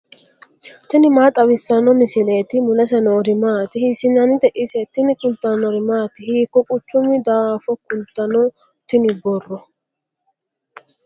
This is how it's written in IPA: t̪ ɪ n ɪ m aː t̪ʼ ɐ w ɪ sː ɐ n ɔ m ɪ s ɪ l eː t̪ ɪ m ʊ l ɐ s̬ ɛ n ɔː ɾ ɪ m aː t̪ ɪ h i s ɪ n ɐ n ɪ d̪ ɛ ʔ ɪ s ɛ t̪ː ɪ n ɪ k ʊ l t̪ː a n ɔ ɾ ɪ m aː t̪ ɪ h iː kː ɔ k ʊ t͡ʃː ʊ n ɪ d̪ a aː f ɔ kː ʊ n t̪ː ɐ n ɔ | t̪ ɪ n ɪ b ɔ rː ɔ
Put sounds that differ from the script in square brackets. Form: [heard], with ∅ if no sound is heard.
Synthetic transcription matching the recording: t̪ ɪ n ɪ m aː t̪ʼ ɐ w ɪ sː ɐ n ɔ m ɪ s ɪ l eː t̪ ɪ m ʊ l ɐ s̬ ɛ n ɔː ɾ ɪ m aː t̪ ɪ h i s ɪ n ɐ n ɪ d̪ ɛ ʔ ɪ s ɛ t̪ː ɪ n ɪ k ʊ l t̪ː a n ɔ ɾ ɪ m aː t̪ ɪ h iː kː ɔ [kʼ] ʊ t͡ʃː ʊ [m] ɪ d̪ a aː f ɔ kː ʊ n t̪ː ɐ n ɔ | t̪ ɪ n ɪ b ɔ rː ɔ